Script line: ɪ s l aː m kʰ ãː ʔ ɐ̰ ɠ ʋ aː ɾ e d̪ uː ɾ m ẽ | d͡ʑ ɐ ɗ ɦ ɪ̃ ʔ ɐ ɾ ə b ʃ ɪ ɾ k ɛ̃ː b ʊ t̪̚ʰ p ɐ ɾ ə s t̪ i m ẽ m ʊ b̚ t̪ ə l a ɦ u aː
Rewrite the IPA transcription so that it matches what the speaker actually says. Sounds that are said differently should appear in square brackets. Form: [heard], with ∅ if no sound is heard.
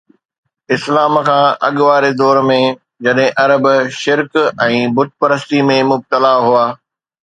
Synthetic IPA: ɪ s l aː m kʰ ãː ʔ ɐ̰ ɠ ʋ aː ɾ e d̪ [ɔː] ɾ m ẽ | d͡ʑ ɐ ɗ ɦ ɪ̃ ʔ ɐ ɾ ə b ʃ ɪ ɾ k ɛ̃ː b ʊ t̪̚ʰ p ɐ ɾ ə s t̪ i m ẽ m ʊ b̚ t̪ ə l a ɦ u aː